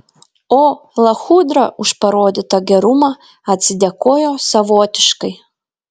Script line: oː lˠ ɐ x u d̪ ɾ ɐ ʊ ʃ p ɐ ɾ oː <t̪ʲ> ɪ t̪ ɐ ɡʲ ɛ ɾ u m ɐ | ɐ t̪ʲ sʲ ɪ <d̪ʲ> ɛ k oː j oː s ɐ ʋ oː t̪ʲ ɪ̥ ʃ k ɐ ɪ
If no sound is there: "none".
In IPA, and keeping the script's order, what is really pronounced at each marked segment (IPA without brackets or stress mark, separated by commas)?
d̪ʲ, d̪ʲ